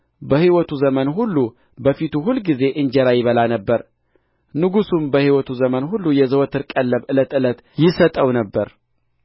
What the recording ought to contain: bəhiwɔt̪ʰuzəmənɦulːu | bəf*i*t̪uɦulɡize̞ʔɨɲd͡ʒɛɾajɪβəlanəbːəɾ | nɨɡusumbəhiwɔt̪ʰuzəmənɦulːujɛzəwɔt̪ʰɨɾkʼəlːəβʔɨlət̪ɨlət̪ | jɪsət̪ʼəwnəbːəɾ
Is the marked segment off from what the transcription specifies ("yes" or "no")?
no